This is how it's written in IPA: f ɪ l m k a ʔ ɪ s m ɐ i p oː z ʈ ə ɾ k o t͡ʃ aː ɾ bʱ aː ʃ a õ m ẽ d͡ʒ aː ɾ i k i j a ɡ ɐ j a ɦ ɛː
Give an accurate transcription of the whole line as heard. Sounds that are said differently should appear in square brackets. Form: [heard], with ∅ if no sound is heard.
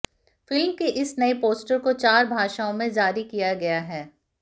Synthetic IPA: f ɪ l m k [e] ʔ ɪ s [n] ɐ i p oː [s] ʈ ə ɾ k o t͡ʃ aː ɾ bʱ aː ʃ a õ m ẽ d͡ʒ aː ɾ i k i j a ɡ ɐ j a ɦ ɛː